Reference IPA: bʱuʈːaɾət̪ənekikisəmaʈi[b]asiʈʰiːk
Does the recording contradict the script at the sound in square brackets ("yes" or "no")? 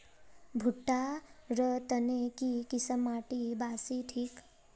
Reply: no